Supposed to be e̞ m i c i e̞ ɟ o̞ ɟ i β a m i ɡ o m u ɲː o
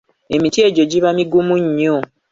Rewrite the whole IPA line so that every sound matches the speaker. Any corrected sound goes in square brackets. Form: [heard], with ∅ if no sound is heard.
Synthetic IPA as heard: e̞ m i [t] i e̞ ɟ o̞ ɟ i β a m i ɡ [u] m u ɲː o